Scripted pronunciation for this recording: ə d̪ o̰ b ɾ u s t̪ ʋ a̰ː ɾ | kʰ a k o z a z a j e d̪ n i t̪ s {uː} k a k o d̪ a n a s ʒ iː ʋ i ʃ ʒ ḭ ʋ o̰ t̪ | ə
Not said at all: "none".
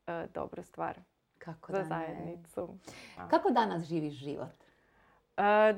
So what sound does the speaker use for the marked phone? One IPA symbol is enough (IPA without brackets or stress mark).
u